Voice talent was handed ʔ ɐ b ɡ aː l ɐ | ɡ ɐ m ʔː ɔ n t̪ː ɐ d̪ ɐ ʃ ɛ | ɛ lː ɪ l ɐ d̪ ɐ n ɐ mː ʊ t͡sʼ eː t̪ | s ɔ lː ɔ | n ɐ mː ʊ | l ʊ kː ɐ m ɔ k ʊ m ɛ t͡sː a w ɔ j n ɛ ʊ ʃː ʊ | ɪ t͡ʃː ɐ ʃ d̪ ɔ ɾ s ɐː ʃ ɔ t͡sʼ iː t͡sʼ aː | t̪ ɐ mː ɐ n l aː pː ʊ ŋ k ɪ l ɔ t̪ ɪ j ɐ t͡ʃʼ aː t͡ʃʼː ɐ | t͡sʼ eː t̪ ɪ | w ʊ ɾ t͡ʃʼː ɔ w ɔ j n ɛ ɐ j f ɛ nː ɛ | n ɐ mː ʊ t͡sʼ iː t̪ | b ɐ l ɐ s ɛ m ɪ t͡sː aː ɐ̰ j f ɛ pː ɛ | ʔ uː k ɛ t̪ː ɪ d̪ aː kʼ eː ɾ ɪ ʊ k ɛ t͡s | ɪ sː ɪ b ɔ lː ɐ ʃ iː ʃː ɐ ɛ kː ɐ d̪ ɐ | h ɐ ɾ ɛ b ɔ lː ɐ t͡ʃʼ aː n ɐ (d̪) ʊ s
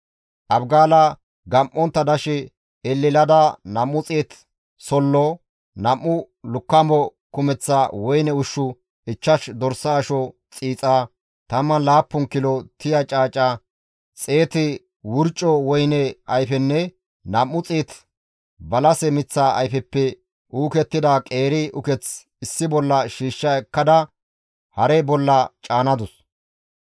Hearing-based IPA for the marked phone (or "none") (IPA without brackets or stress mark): d̪